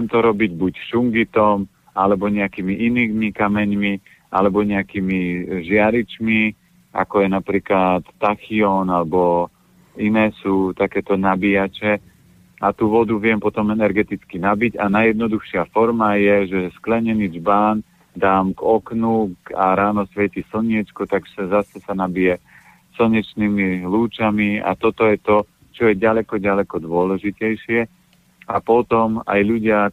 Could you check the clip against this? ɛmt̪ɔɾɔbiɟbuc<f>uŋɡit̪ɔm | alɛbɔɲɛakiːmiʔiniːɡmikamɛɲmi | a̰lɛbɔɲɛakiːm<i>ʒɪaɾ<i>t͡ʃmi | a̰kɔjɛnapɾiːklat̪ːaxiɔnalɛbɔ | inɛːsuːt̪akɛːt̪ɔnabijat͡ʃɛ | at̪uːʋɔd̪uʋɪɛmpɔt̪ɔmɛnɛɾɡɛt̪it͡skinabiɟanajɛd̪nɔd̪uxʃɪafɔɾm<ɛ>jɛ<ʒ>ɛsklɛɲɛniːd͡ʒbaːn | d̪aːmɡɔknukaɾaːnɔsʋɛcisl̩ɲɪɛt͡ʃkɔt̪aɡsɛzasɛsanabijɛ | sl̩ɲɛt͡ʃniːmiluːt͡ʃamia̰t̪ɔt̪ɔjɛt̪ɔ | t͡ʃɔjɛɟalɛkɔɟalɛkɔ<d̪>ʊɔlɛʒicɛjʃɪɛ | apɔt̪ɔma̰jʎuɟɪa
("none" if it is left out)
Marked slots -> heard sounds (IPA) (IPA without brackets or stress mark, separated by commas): ʃ, i, i, a, ʒ, d̪